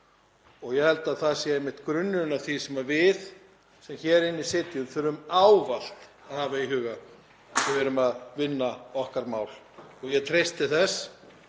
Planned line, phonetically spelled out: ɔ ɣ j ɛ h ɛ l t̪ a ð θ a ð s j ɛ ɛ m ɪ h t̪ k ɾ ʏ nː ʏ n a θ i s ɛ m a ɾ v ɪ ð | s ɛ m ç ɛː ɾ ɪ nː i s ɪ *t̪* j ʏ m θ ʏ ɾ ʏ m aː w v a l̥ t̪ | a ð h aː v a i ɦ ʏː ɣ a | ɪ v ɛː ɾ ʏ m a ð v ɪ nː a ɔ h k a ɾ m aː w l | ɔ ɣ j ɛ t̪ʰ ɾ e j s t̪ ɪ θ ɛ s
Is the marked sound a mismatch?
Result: no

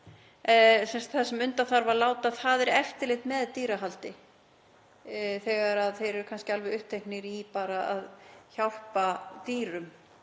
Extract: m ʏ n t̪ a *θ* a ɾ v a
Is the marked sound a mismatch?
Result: no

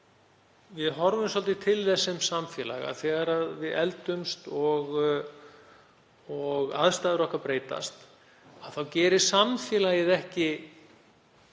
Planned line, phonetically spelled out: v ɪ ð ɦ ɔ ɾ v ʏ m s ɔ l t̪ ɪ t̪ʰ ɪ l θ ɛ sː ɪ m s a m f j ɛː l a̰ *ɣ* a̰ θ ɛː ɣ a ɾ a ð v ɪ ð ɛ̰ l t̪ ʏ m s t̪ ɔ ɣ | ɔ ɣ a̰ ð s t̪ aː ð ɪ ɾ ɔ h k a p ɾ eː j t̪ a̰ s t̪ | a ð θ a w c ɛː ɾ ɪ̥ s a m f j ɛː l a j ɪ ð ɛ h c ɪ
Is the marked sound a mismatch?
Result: no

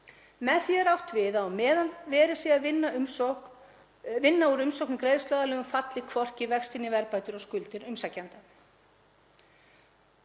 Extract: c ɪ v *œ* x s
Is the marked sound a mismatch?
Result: yes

